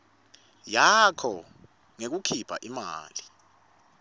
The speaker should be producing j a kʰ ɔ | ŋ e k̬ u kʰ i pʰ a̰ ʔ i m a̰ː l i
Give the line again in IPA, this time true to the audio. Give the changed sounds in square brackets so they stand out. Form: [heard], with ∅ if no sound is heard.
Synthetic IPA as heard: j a kʰ ɔ | ŋ e k̬ u kʰ i pʰ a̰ ʔ i m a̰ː l i